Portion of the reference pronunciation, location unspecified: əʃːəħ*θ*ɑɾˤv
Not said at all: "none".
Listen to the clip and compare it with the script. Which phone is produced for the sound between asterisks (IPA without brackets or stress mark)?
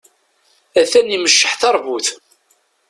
θ